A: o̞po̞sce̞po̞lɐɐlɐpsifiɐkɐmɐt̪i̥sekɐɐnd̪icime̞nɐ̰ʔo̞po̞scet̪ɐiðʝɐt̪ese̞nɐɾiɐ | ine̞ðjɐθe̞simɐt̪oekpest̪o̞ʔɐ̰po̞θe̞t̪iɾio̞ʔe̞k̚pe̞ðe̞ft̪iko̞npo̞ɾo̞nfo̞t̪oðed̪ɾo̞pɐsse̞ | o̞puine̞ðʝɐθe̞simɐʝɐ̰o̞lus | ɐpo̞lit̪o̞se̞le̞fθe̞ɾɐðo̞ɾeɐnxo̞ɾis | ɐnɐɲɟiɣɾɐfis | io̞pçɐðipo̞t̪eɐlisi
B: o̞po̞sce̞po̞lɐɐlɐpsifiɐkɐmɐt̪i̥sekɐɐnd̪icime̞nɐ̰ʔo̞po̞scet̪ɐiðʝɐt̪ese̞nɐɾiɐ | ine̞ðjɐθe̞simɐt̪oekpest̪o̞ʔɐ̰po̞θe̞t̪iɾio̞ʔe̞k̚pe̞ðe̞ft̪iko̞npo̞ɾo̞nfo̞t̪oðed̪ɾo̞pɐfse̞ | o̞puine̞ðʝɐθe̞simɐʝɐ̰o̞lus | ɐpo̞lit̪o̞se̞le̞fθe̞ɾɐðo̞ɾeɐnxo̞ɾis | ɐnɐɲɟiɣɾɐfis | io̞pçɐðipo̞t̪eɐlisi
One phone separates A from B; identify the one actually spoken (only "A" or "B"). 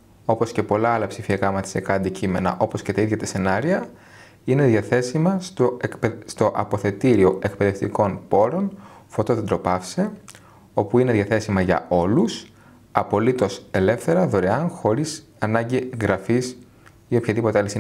B